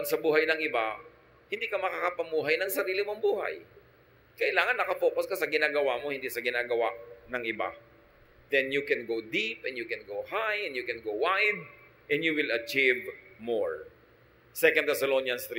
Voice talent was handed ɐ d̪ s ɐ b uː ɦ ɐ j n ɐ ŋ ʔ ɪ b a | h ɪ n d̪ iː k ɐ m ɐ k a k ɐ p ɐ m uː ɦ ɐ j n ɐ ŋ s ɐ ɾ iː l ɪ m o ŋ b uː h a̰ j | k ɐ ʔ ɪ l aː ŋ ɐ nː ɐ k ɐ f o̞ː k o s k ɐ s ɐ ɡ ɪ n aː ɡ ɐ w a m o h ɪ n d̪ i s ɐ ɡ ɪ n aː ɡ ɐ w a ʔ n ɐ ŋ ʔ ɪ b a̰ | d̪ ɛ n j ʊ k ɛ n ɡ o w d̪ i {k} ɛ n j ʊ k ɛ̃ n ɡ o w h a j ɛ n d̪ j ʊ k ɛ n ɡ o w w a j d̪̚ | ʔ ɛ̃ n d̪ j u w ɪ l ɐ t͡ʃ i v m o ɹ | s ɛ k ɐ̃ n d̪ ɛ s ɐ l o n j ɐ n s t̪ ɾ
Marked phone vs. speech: incorrect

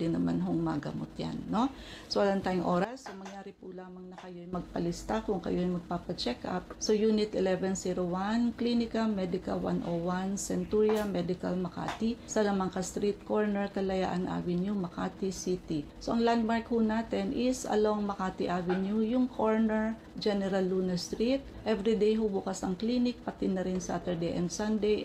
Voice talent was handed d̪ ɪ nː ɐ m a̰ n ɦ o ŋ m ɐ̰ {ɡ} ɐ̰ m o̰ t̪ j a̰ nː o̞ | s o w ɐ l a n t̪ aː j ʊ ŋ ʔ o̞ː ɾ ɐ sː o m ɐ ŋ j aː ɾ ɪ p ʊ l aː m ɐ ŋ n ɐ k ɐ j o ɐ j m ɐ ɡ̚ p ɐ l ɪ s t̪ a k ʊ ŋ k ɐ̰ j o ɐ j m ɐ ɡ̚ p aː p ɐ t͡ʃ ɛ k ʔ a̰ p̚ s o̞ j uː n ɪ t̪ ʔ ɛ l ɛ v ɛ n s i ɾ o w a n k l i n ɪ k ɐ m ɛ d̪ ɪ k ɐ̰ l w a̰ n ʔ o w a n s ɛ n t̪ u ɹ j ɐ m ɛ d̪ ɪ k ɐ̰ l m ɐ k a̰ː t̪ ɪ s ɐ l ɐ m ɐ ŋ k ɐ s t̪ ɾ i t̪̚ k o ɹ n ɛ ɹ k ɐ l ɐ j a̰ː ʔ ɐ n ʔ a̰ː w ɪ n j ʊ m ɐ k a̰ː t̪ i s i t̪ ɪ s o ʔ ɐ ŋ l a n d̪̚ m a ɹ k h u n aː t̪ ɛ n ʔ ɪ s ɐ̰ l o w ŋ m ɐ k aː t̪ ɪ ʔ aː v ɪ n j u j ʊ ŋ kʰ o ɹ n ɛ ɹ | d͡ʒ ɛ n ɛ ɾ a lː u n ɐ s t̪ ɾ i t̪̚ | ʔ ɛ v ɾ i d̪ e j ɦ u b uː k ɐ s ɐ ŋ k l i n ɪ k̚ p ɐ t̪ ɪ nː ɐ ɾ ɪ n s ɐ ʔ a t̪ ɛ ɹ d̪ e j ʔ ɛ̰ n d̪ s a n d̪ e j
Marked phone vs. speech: correct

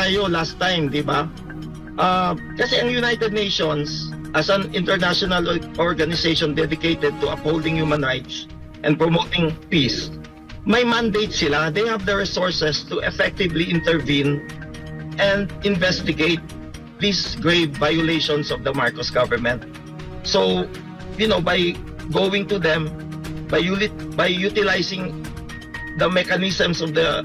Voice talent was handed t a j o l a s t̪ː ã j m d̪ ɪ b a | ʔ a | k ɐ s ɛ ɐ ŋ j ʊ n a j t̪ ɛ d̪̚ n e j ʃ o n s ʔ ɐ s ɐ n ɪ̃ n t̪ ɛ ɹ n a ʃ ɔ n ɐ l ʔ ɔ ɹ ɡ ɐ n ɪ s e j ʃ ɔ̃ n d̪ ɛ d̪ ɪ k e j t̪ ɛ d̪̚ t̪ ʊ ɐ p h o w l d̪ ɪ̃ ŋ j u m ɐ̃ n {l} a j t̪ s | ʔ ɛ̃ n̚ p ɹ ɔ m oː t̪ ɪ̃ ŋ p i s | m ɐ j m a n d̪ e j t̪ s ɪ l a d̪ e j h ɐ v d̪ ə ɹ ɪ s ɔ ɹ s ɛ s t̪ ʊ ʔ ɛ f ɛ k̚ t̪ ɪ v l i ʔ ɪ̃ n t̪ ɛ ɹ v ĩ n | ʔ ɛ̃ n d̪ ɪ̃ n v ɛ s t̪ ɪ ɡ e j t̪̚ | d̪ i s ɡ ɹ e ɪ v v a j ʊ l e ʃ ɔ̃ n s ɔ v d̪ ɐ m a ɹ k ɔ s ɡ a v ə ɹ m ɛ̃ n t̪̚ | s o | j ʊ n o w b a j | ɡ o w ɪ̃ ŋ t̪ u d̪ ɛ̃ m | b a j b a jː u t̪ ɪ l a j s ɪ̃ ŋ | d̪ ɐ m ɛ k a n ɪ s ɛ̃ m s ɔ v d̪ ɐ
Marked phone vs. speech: incorrect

